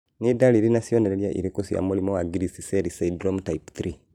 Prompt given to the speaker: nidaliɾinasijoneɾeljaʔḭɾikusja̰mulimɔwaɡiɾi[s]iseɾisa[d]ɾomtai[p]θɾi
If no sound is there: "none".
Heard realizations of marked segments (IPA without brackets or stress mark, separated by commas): s, d, p